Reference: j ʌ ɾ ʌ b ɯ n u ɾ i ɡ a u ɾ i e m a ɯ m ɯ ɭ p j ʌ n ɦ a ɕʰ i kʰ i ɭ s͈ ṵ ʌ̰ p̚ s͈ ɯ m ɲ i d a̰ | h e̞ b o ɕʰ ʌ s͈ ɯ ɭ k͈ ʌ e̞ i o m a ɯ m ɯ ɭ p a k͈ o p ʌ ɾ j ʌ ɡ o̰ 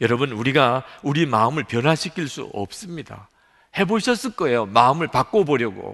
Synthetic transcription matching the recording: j ʌ ɾ ʌ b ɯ n u ɾ i ɡ a u ɾ i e m a ɯ m ɯ ɭ p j ʌ n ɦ a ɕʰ i kʰ i ɭ s͈ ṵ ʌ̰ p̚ s͈ ɯ m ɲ i d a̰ | h e̞ b o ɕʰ ʌ s͈ ɯ ɭ k͈ ʌ e̞ j o m a ɯ m ɯ ɭ p a k͈ o b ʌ ɾ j ʌ ɡ o̰